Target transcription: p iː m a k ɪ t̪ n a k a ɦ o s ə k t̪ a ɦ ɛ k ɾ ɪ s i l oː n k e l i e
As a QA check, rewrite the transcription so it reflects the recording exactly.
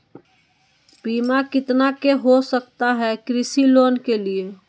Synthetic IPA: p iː m a k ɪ t̪ n a k e ɦ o s ə k t̪ a ɦ ɛ k ɾ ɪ s i l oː n k e l i e